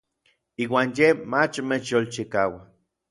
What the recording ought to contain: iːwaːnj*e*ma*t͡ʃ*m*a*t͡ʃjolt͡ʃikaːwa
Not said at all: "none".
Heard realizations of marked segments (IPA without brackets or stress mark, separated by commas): e, t͡ʃ, e